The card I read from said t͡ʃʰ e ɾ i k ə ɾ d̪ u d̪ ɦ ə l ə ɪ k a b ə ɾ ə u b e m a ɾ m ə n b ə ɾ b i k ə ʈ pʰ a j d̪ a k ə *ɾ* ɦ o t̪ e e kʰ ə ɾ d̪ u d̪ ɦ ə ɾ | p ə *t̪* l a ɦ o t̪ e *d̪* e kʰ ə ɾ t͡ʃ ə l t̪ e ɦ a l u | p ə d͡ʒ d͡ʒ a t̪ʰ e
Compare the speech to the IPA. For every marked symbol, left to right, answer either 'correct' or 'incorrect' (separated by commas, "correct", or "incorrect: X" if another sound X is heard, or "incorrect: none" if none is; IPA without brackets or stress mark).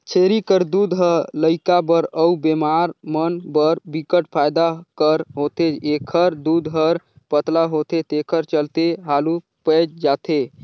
correct, correct, incorrect: t̪